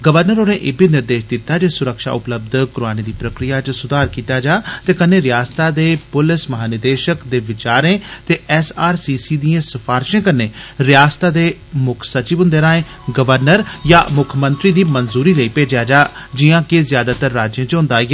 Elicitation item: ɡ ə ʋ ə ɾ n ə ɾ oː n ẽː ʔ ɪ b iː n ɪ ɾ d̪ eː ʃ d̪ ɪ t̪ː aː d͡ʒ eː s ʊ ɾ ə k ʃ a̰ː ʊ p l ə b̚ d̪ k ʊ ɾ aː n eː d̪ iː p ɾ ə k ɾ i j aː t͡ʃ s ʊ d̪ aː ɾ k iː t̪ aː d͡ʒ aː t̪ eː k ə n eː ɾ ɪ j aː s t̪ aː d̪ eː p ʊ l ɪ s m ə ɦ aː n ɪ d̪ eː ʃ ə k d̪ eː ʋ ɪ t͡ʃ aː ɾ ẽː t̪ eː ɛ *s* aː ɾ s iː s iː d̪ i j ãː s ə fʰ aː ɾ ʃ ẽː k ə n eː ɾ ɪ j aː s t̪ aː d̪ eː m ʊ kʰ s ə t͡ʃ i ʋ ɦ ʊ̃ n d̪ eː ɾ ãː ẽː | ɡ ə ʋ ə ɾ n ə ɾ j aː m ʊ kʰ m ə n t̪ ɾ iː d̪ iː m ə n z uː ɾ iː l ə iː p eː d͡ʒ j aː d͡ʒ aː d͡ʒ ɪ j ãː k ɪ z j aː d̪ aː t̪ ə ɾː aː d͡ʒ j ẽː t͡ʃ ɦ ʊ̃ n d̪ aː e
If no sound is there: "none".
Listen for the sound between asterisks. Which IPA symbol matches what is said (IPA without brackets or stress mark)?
s